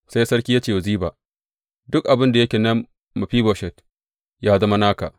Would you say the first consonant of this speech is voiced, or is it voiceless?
voiceless